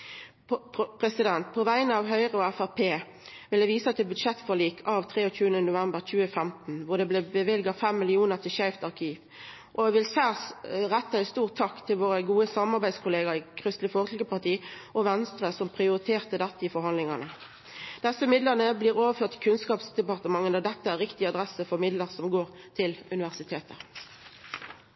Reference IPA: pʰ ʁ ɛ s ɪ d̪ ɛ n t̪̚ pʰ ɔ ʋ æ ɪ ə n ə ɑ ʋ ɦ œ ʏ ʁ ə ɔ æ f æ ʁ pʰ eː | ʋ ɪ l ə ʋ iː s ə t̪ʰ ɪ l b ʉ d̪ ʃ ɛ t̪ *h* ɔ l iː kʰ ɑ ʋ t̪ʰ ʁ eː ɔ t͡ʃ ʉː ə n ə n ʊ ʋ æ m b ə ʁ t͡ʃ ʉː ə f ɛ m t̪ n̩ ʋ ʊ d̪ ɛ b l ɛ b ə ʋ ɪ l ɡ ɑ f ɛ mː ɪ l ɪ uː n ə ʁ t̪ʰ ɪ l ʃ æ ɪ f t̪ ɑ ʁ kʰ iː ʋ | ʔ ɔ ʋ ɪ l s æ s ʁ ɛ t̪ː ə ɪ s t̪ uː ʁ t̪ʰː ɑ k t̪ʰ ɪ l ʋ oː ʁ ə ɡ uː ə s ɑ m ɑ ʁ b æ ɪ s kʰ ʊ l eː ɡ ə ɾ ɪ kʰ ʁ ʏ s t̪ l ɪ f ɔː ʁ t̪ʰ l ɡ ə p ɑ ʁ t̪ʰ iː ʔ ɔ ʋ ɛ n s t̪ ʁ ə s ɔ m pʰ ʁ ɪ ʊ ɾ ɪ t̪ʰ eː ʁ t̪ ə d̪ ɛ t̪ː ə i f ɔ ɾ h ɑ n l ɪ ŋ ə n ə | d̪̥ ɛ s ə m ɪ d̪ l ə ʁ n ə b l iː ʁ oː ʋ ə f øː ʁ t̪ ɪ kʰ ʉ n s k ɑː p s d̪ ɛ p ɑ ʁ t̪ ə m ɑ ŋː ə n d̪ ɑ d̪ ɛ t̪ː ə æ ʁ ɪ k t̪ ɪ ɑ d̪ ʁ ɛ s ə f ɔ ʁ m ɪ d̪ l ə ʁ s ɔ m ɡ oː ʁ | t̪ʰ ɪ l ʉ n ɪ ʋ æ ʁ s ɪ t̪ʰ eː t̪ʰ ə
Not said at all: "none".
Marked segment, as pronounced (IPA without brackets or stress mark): f